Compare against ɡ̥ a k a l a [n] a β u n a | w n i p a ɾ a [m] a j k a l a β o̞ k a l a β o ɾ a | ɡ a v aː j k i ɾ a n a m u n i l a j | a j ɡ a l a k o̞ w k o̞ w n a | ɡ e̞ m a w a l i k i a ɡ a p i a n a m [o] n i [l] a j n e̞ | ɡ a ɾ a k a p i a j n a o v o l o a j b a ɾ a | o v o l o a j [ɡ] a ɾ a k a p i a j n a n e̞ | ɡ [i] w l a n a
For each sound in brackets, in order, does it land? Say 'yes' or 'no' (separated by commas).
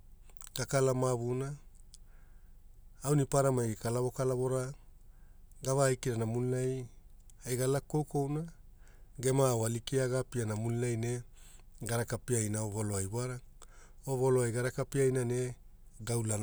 no, yes, no, yes, yes, no